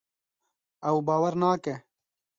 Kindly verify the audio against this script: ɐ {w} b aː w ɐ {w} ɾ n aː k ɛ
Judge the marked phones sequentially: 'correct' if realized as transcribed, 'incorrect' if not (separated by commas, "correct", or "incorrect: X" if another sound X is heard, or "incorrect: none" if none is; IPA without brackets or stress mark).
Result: correct, incorrect: none